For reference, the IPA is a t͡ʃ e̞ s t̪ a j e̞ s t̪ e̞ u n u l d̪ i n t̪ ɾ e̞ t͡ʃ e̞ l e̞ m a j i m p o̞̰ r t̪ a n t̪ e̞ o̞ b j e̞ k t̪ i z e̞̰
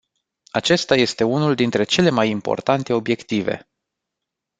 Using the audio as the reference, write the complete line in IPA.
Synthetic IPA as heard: a t͡ʃ e̞ s t̪ a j e̞ s t̪ e̞ u n u l d̪ i n t̪ ɾ e̞ t͡ʃ e̞ l e̞ m a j i m p o̞̰ r t̪ a n t̪ e̞ o̞ b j e̞ k t̪ i v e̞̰